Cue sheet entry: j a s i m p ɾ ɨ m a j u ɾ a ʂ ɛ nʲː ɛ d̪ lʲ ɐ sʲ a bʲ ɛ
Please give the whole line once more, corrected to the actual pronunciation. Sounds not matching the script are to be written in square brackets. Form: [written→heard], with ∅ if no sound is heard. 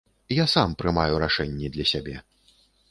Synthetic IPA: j a s [i→a] m p ɾ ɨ m a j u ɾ a ʂ ɛ nʲː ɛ d̪ lʲ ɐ sʲ a bʲ ɛ